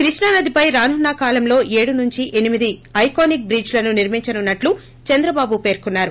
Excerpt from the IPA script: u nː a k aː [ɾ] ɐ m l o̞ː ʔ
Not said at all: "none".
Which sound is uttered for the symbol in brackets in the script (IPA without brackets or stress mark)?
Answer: l